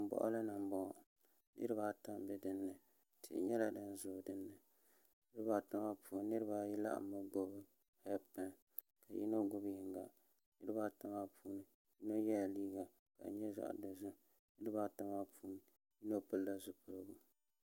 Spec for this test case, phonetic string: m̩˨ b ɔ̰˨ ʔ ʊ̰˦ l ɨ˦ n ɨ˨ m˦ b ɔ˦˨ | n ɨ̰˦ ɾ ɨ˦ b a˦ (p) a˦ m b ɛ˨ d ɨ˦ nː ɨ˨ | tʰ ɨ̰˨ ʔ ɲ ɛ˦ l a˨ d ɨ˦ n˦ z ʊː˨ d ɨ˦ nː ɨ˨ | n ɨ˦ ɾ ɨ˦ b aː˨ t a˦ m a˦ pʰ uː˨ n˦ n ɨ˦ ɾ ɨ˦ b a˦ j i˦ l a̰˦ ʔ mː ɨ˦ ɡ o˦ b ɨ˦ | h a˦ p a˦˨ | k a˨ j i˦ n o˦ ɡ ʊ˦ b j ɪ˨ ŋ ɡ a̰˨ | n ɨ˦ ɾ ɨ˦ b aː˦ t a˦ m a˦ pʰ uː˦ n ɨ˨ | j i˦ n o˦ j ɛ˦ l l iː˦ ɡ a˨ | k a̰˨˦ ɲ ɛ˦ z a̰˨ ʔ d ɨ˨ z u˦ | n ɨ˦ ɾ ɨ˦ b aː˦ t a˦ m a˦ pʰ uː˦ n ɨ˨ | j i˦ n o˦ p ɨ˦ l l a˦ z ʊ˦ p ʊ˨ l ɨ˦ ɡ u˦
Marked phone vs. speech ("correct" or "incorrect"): incorrect